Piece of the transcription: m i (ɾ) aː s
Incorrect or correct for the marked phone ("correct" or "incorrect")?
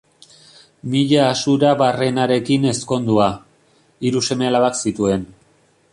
incorrect